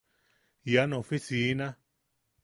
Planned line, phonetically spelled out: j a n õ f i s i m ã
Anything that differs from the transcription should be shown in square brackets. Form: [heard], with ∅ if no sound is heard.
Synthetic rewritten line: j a n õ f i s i [n] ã